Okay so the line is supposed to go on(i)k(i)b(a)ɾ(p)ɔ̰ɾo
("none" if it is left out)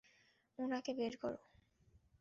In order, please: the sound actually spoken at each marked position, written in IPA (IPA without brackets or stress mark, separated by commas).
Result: a, e, e, k